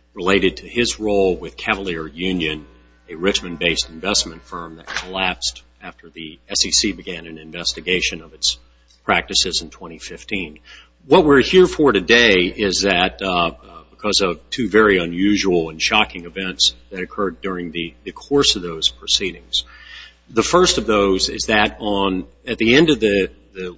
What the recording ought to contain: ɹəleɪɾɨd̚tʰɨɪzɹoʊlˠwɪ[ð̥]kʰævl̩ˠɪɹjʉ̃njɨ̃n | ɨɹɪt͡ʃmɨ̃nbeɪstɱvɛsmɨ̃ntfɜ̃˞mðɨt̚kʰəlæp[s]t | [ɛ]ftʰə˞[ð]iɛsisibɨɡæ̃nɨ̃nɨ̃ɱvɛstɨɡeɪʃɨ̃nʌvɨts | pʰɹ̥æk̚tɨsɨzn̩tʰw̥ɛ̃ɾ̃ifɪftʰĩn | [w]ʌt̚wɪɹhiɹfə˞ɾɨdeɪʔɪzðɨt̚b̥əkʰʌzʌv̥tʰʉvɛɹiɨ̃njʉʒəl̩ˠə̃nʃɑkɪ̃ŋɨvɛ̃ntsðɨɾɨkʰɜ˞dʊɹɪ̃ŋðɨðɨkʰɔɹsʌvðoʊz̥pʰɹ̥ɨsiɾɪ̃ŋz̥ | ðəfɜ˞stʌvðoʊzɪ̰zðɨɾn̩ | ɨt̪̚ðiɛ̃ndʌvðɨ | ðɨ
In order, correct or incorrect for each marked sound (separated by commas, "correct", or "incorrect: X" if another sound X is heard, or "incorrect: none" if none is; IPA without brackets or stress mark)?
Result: correct, correct, incorrect: æ, correct, correct